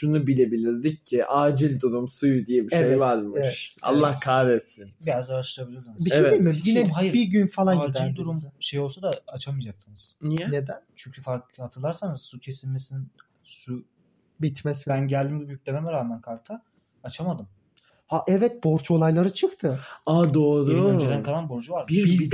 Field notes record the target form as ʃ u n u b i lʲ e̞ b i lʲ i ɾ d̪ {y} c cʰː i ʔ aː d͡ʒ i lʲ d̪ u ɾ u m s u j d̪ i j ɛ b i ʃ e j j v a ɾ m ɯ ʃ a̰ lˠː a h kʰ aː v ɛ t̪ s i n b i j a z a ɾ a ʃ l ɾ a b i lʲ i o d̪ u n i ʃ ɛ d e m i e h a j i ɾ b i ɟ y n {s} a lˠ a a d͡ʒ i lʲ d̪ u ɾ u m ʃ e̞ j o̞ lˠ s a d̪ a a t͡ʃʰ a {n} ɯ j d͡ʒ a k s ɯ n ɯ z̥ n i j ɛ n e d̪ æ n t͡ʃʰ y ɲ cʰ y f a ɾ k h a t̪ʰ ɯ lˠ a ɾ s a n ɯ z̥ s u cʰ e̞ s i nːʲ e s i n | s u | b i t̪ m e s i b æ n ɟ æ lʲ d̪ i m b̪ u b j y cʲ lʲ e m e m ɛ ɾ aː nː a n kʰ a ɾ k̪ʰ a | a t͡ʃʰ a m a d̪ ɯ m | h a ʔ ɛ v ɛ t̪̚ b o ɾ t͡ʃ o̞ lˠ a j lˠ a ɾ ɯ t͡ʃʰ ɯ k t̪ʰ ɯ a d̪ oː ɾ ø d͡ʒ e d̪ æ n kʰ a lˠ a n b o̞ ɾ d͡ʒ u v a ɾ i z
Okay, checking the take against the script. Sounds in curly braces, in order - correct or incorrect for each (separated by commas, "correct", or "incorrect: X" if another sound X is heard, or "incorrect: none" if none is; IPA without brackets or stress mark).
incorrect: i, incorrect: f, incorrect: m